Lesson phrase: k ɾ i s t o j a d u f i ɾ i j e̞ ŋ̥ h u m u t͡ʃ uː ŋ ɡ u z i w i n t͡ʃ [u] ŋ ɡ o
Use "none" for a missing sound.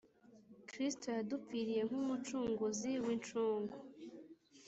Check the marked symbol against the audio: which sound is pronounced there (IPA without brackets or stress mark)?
uː